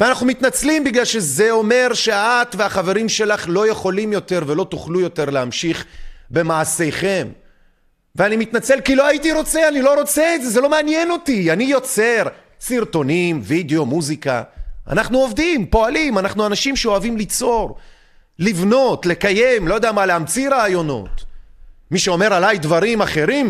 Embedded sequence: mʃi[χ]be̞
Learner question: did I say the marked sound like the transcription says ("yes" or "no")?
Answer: yes